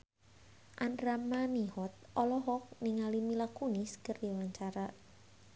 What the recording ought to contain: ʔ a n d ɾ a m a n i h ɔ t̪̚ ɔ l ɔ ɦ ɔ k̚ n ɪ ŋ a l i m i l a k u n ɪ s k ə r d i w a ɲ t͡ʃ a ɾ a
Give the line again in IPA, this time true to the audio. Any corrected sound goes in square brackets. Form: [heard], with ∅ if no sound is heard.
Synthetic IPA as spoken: ʔ a n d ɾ a m a n i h ɔ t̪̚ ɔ l ɔ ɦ ɔ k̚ n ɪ ŋ a l i m i l a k u n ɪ s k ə r d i w a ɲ t͡ʃ a ɾ a